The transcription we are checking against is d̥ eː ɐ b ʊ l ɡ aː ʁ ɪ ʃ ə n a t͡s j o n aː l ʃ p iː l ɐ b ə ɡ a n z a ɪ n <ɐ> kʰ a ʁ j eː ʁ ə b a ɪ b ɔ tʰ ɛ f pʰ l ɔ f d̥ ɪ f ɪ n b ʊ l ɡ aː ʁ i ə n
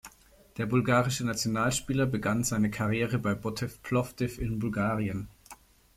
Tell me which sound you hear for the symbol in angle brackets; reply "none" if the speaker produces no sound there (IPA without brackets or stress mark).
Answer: ə